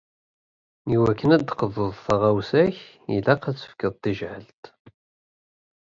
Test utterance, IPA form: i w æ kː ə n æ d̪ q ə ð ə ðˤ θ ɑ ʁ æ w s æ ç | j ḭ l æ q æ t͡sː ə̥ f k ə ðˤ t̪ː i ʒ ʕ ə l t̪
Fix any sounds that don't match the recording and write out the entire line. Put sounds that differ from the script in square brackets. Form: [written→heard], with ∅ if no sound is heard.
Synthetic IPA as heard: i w æ kː ə n æ d̪ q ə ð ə ðˤ θ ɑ ʁ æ w s æ ç | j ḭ l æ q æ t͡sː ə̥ f k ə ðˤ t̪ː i ʒ ʕ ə l t̪